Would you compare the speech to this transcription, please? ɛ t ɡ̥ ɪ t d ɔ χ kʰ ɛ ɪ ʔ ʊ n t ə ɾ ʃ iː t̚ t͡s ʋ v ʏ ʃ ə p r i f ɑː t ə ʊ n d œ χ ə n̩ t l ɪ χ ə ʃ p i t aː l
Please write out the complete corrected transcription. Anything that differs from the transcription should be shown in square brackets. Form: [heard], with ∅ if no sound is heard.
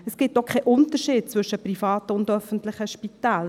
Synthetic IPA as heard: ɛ [s] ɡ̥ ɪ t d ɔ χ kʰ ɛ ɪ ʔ ʊ n t ə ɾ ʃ iː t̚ t͡s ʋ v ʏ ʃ ə p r i f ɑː t ə ʊ n d œ [f] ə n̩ t l ɪ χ ə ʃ p i t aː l